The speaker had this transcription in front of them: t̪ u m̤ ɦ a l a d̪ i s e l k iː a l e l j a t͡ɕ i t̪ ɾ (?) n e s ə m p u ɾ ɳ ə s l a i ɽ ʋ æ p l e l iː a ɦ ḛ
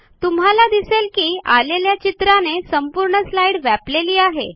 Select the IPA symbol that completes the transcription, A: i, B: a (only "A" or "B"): B